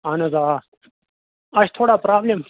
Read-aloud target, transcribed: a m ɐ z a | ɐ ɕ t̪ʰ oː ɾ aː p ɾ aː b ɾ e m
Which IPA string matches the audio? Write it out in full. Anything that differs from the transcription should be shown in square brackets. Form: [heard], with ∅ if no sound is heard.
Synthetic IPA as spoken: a [n] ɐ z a | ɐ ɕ t̪ʰ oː [ɽ] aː p ɾ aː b [l] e m